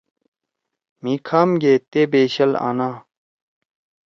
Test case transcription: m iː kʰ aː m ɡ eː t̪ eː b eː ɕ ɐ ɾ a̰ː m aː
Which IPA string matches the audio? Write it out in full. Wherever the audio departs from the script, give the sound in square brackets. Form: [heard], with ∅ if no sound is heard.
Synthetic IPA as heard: m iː kʰ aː m ɡ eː t̪ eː b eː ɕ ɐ [l] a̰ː [n] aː